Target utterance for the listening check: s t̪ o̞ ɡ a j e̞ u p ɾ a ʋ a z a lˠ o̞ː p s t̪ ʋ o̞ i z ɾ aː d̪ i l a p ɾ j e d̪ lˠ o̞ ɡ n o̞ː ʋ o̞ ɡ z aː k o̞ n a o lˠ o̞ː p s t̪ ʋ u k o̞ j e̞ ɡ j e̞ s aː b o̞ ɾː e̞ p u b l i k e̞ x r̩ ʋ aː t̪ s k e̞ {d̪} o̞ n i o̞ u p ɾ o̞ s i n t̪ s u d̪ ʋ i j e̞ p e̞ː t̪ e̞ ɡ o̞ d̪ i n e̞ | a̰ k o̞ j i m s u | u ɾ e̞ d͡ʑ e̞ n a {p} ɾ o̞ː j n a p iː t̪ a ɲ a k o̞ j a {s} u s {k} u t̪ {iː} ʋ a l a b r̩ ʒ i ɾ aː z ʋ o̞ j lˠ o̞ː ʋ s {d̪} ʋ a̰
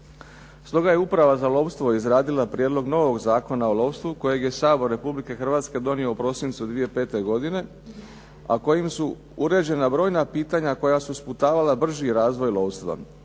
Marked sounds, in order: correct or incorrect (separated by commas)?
correct, incorrect, correct, incorrect, incorrect, incorrect